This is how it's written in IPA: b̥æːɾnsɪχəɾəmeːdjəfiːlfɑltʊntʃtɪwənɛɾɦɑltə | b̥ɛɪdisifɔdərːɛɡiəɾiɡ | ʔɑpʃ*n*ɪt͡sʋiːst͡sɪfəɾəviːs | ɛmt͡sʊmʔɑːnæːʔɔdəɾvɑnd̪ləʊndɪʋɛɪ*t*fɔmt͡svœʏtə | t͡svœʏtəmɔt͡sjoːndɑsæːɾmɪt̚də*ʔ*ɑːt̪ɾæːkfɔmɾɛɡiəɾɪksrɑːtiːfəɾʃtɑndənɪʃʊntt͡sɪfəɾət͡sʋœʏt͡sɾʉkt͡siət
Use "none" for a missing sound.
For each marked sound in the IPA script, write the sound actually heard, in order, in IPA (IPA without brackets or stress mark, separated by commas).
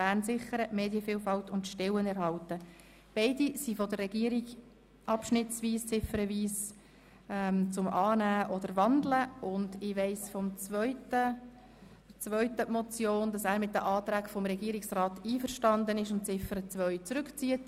n, s, ʔ